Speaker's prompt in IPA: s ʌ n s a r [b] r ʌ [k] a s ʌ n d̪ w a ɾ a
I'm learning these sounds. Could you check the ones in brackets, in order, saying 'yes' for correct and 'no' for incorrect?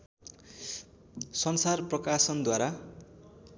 no, yes

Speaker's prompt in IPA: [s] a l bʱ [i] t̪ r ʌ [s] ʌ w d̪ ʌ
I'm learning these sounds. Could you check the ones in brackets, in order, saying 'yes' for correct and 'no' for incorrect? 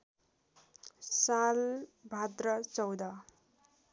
yes, no, no

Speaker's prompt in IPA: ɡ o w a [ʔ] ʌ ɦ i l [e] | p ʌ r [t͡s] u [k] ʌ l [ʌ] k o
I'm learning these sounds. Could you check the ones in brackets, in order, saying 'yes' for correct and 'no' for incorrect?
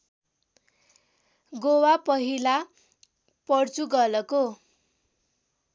no, no, yes, no, yes

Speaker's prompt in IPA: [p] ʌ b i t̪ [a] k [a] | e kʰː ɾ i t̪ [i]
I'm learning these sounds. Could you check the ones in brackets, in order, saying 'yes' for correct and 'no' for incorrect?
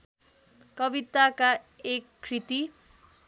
no, yes, yes, yes

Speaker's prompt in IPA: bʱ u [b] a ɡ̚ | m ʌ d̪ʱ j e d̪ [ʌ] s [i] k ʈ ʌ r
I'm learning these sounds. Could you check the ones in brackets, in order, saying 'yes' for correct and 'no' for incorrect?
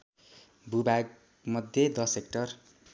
yes, yes, no

